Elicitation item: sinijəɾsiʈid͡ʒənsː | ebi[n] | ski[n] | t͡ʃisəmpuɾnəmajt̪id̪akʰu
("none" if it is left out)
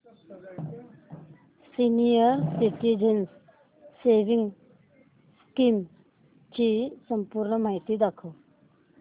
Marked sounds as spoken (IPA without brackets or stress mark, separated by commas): ŋ, m